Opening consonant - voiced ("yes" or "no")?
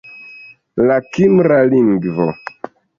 yes